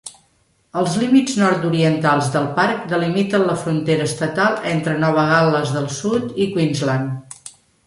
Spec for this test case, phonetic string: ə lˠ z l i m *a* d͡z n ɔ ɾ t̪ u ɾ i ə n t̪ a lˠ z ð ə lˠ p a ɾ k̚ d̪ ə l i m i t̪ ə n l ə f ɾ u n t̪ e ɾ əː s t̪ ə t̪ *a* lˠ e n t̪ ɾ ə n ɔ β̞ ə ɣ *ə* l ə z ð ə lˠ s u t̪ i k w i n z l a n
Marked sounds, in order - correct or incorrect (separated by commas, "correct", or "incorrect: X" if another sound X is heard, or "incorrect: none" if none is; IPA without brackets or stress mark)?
incorrect: i, correct, incorrect: a